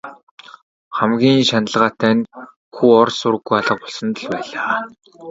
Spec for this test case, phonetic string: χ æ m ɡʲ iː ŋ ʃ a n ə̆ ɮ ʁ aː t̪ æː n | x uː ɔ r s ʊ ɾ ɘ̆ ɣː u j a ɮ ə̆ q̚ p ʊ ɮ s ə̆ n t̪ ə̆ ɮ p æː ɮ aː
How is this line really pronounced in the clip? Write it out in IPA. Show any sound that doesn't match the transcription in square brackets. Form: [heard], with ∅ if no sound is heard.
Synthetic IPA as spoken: χ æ m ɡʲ iː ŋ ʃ a n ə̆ ɮ ʁ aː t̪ æː n | x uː ɔ r s ʊ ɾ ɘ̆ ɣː u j a ɮ ə̆ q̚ p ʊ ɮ s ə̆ n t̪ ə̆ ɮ p æː ɮ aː